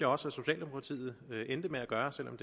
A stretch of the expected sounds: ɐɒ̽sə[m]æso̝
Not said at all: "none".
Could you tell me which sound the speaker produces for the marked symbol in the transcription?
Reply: none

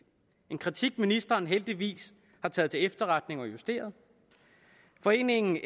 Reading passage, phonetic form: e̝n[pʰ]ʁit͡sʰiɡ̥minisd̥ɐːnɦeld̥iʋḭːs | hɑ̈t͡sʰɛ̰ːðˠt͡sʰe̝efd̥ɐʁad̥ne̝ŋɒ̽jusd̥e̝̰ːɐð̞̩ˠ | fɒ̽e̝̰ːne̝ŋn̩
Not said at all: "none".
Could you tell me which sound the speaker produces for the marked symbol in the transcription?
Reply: kʰ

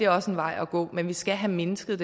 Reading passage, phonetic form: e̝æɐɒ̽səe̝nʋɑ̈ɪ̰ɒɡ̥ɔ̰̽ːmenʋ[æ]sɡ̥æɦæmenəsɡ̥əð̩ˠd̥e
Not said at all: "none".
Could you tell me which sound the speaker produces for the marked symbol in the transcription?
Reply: i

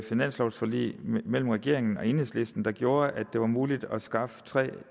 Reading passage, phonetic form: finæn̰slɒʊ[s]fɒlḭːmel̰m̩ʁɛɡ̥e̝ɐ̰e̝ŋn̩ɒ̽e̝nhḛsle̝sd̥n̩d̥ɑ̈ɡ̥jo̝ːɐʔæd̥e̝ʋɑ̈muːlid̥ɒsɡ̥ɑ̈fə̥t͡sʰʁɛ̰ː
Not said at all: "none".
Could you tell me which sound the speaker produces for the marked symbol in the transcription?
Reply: s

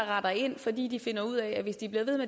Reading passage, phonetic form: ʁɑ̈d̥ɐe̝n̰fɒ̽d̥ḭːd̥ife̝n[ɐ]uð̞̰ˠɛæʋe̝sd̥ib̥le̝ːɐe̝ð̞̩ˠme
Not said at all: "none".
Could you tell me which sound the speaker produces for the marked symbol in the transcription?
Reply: ɐ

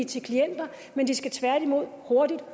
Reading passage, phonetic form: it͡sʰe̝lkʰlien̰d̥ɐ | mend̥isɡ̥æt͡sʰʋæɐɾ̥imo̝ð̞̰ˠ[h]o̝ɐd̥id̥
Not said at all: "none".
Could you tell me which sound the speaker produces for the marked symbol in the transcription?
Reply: h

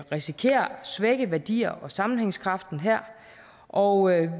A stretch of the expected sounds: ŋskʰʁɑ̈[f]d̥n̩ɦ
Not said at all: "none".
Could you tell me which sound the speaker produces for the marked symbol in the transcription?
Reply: f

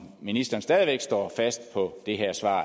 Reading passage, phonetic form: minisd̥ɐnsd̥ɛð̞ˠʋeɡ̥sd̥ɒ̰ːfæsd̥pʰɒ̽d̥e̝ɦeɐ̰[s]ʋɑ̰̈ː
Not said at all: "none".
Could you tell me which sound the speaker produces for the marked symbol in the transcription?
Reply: s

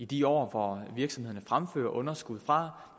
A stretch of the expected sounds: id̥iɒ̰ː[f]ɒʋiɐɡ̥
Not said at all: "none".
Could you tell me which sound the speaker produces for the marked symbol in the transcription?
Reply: f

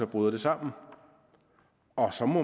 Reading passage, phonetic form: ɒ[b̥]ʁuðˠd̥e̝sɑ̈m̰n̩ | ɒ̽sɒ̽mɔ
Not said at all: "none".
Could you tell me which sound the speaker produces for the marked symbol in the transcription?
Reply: b̥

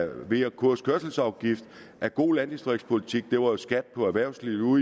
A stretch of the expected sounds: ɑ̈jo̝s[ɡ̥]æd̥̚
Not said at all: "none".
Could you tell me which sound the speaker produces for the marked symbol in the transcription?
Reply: ɡ̥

